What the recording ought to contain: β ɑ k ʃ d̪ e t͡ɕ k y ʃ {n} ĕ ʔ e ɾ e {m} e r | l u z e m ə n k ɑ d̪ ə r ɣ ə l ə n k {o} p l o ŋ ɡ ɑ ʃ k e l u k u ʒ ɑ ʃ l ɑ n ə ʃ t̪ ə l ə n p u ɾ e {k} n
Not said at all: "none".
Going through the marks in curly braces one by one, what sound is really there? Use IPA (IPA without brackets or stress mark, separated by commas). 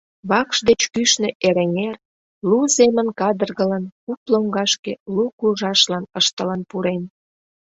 n, ŋ, u, none